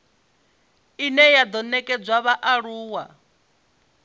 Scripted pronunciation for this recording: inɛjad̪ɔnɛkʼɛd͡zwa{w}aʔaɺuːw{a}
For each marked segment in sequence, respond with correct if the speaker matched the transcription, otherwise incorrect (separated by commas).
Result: incorrect, correct